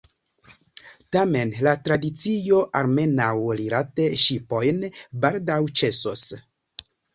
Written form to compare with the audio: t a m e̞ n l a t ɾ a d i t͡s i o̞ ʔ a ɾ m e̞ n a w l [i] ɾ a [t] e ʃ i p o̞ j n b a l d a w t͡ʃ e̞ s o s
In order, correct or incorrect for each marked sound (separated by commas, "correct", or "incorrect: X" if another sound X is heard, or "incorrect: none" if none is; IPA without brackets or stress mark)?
correct, correct